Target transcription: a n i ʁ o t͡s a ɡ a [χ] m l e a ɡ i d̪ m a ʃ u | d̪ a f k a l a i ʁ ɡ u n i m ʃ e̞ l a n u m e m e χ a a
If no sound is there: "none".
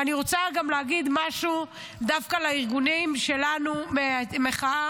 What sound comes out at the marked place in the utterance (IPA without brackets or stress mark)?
none